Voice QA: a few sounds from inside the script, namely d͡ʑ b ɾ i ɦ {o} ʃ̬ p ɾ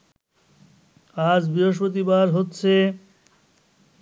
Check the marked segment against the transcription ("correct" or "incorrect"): correct